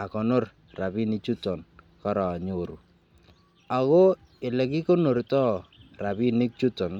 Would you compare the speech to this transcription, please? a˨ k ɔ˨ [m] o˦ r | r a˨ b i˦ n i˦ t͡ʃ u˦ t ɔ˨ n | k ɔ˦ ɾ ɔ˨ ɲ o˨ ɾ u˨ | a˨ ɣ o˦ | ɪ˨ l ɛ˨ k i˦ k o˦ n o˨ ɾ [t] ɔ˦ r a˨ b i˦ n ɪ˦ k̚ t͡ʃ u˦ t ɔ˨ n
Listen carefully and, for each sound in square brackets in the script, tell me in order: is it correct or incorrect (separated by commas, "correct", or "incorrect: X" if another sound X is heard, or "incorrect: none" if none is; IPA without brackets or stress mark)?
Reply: incorrect: n, correct